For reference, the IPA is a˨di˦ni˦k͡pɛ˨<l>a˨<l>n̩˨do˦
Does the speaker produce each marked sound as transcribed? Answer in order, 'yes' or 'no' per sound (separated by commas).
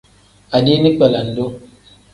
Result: yes, no